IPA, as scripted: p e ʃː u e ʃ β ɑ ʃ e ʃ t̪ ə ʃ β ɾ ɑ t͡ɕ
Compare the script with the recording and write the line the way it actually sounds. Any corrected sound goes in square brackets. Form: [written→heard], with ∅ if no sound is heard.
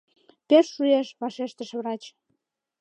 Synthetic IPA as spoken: p e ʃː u e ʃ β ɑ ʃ e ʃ t̪ ə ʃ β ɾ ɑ t͡ɕ